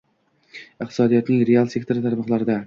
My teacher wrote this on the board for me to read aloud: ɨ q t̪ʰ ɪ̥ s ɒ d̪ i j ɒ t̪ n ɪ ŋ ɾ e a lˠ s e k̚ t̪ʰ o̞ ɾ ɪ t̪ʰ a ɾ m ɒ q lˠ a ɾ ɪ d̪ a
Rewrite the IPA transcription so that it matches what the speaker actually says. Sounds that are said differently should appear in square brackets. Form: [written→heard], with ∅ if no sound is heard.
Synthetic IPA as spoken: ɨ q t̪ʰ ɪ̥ s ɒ d̪ i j ɒ t̪ n ɪ ŋ ɾ e a lˠ s e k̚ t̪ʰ o̞ ɾ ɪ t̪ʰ a ɾ m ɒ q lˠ a ɾ ɪ d̪ a

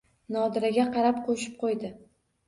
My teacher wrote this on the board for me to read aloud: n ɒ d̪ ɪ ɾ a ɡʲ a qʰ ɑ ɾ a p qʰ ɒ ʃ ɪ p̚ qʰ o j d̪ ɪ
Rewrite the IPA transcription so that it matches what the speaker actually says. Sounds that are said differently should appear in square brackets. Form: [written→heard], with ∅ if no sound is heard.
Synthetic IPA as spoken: n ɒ d̪ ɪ ɾ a ɡʲ a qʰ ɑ ɾ a p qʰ [ɒ→o] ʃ ɪ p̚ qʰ o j d̪ ɪ

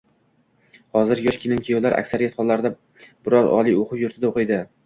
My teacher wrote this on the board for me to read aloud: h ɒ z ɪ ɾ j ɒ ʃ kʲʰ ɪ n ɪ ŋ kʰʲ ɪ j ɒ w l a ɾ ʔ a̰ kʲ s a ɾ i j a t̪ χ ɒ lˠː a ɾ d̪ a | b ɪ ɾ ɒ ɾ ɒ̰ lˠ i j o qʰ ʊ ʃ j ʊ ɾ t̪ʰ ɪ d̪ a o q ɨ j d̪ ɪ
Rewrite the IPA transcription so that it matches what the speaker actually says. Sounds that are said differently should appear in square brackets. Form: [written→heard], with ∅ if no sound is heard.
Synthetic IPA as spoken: h ɒ z ɪ ɾ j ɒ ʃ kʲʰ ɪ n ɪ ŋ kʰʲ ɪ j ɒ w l a ɾ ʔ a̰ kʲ s a ɾ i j a t̪ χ ɒ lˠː a ɾ d̪ a | b ɪ ɾ ɒ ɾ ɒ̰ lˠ i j o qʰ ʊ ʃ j ʊ ɾ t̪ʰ ɪ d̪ a o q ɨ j d̪ ɪ

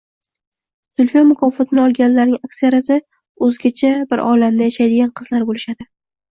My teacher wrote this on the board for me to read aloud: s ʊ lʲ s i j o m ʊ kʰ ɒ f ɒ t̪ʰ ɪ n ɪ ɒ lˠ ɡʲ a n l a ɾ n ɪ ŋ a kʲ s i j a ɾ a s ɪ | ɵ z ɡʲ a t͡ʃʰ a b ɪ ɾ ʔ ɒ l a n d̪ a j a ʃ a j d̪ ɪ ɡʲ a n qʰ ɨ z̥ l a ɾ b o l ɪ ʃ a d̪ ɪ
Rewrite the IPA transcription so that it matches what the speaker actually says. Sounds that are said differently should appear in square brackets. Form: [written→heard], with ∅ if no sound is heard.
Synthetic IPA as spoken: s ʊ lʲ [s→f] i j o m ʊ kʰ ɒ f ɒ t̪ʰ ɪ n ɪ ɒ lˠ ɡʲ a n l a ɾ n ɪ ŋ a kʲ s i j a ɾ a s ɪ | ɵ z ɡʲ a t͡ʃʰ a b ɪ ɾ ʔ ɒ l a [n→m] d̪ a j a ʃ a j d̪ ɪ ɡʲ a n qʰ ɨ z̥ l a ɾ b o l ɪ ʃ a d̪ ɪ

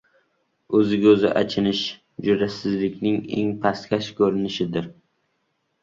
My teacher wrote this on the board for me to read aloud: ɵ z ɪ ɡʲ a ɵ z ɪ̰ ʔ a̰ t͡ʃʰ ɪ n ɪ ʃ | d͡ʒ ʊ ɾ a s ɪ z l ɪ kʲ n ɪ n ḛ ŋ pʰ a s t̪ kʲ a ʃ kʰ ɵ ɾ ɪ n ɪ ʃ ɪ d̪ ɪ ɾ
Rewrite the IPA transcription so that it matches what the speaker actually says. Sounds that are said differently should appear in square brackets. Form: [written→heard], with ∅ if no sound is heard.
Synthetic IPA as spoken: ɵ z ɪ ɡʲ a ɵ z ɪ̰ ʔ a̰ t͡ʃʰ ɪ n ɪ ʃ | d͡ʒ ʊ ɾ a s ɪ z l ɪ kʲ n ɪ [n→ŋ] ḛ ŋ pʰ a s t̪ kʲ a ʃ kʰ ɵ ɾ ɪ n ɪ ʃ ɪ d̪ ɪ ɾ

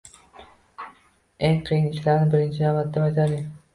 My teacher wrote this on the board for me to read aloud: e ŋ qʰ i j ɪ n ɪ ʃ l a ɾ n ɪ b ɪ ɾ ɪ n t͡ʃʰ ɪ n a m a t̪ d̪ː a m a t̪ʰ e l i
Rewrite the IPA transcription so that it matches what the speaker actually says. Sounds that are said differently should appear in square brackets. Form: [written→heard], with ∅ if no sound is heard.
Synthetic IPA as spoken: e ŋ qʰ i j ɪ n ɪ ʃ l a ɾ n ɪ b ɪ ɾ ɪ n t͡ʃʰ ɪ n a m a t̪ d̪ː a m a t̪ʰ [e→a] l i

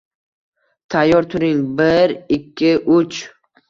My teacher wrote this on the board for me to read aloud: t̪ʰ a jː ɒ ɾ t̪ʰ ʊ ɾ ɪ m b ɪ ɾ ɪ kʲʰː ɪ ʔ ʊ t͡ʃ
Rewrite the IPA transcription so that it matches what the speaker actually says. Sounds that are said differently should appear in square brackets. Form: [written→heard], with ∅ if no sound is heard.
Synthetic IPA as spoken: t̪ʰ a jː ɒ ɾ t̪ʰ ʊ ɾ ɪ [m→ŋ] b ɪ ɾ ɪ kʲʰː ɪ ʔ ʊ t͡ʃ

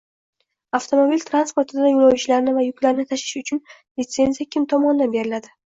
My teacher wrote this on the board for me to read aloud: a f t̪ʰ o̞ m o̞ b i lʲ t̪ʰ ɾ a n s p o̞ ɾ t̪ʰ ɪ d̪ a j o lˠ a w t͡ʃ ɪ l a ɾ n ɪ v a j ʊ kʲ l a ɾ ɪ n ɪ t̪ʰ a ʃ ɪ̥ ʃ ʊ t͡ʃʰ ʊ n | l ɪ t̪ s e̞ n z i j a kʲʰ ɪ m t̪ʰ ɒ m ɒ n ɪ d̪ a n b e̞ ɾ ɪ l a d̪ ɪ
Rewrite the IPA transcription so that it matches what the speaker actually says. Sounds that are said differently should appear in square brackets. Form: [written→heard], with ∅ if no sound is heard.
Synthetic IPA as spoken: a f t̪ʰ o̞ m o̞ b i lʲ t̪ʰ ɾ a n s p o̞ ɾ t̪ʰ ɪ d̪ a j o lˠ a w t͡ʃ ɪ l a ɾ n ɪ v a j ʊ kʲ l a ɾ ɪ n ɪ t̪ʰ a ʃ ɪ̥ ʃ ʊ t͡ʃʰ ʊ n | l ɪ t̪ s e̞ n z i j a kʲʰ ɪ m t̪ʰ ɒ m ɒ n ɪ d̪ a n b e̞ ɾ ɪ l a d̪ ɪ

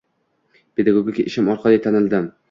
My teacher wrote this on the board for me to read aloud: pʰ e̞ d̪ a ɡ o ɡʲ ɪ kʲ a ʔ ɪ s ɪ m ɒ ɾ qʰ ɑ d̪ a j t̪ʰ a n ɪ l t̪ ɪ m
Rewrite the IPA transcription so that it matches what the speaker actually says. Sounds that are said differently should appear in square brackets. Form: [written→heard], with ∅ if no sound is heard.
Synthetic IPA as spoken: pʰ e̞ d̪ a ɡ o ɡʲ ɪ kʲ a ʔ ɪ [s→ʃ] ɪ m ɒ ɾ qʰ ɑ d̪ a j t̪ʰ a n ɪ l [t̪→d̪] ɪ m

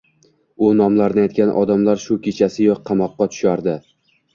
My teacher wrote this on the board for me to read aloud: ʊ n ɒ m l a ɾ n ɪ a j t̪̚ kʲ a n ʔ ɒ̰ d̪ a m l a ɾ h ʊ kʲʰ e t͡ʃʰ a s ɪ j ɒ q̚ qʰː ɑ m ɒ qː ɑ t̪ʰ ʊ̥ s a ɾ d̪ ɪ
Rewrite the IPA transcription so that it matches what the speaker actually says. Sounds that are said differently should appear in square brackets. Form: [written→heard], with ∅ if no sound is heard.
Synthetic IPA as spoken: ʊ n ɒ m l a ɾ n ɪ a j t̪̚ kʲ a n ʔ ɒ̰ d̪ a m l a ɾ [h→ʃ] ʊ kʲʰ e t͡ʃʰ a s ɪ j ɒ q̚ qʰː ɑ m ɒ qː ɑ t̪ʰ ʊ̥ [s→ʃ] a ɾ d̪ ɪ

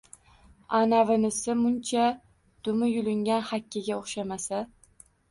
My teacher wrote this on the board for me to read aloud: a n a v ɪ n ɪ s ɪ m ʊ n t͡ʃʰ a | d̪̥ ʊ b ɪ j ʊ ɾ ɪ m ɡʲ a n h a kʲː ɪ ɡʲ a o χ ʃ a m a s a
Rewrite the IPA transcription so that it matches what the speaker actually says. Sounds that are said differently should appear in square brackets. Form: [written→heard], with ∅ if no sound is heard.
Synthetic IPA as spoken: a n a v ɪ n ɪ s ɪ m ʊ n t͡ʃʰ a | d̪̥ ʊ [b→m] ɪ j ʊ [ɾ→l] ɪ [m→ŋ] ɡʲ a n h a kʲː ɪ ɡʲ a o χ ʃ a m a s a

